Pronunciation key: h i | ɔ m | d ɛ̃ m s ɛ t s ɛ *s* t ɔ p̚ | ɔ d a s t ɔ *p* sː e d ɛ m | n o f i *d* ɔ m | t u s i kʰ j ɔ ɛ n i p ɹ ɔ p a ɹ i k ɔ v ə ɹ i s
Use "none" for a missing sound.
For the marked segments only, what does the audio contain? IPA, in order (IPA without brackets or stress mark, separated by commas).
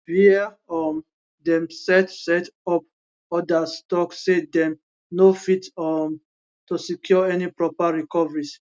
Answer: none, k, t